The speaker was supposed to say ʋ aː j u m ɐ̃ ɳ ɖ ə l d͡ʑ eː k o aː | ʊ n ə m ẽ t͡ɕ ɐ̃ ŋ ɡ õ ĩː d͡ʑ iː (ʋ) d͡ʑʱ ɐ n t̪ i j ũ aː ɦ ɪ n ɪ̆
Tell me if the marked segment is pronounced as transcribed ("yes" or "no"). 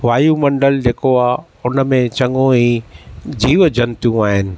yes